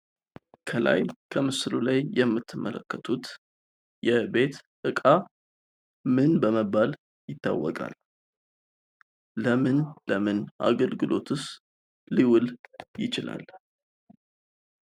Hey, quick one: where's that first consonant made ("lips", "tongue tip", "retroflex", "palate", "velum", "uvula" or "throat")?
velum